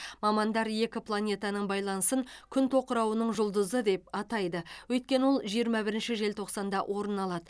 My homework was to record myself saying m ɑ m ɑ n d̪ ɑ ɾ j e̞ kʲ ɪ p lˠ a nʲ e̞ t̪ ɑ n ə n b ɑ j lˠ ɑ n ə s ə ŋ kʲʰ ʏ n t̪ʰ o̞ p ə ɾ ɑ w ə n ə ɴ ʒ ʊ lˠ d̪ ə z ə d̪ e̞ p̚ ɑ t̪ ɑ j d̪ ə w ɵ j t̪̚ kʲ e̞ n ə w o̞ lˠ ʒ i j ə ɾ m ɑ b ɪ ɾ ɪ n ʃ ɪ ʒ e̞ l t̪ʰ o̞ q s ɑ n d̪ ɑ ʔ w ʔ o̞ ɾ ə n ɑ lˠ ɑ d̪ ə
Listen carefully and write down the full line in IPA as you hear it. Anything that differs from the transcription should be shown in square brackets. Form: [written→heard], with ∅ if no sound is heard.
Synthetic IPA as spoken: m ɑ m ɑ n d̪ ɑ ɾ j e̞ kʲ ɪ p lˠ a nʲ e̞ t̪ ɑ n ə [n→ɴ] b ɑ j lˠ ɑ n ə s ə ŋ kʲʰ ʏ n t̪ʰ o̞ [p→q] ə ɾ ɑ w ə n ə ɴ ʒ ʊ lˠ d̪ ə z ə d̪ e̞ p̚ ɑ t̪ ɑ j d̪ ə w ɵ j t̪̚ kʲ e̞ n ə w o̞ lˠ ʒ i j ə ɾ m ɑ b ɪ ɾ ɪ n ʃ ɪ ʒ e̞ l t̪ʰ o̞ q s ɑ n d̪ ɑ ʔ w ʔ o̞ ɾ ə n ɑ lˠ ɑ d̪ ə